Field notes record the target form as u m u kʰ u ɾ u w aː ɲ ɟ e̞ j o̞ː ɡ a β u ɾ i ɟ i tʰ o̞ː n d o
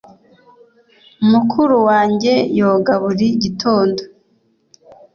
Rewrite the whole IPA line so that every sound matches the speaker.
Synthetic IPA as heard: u m u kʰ u ɾ u w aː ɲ ɟ e̞ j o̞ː ɡ a β u ɾ i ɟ i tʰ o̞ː n d o

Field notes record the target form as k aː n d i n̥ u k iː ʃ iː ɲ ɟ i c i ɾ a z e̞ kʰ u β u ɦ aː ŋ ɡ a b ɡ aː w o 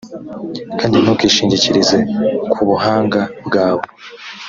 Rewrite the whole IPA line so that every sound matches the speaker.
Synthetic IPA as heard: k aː n d i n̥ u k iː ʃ iː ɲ ɟ i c i ɾ i z e̞ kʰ u β u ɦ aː ŋ ɡ a b ɡ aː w o

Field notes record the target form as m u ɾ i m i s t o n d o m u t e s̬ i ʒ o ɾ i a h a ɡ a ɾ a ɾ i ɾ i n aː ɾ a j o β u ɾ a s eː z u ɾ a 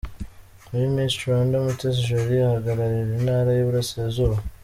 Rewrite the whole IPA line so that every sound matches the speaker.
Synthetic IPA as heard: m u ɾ i m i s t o n d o m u t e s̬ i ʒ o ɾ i a h a ɡ a ɾ a ɾ i ɾ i n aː ɾ a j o β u ɾ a s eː z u ɾ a

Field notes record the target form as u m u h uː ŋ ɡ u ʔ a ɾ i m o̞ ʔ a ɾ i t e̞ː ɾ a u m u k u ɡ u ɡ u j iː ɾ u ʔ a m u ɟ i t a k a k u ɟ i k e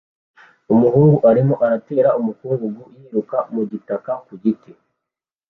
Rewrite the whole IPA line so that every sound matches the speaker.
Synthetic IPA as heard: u m u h uː ŋ ɡ u ʔ a ɾ i m o̞ ʔ a ɾ a t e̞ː ɾ a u m u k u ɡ u ɡ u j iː ɾ u k a m u ɟ i t a k a k u ɟ i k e

